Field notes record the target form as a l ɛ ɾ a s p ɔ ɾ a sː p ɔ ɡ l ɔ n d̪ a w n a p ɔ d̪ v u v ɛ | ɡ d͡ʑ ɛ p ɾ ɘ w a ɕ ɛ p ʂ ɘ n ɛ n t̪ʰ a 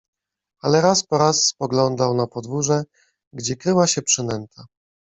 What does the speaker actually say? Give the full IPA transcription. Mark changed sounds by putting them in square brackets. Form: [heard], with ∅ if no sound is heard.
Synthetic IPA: a l ɛ ɾ a s p ɔ ɾ a sː p ɔ ɡ l ɔ n d̪ a w n a p ɔ d̪ v u [ʐ] ɛ | ɡ d͡ʑ ɛ [k] ɾ ɘ w a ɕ ɛ p ʂ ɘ n ɛ n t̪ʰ a